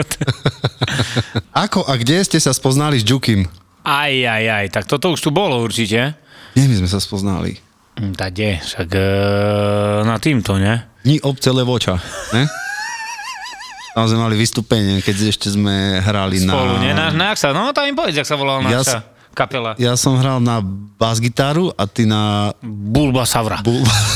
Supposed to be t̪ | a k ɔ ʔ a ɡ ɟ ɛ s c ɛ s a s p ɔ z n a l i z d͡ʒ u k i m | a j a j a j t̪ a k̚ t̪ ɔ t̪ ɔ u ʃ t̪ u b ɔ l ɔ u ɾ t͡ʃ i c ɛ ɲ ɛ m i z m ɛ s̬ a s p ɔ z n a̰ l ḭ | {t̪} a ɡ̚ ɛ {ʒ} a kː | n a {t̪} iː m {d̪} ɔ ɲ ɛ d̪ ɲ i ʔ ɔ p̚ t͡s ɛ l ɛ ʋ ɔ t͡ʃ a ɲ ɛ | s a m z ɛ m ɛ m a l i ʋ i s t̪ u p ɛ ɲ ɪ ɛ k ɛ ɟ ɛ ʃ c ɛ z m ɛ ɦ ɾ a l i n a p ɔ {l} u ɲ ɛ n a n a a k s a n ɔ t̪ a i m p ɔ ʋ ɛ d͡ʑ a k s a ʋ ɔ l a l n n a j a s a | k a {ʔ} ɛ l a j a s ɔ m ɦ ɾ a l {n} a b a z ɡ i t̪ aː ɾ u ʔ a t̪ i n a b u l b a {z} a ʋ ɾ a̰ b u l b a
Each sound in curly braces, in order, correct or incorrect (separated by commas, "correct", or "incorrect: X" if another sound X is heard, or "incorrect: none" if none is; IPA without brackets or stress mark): correct, incorrect: ʃ, correct, incorrect: t̪, correct, incorrect: p, correct, incorrect: s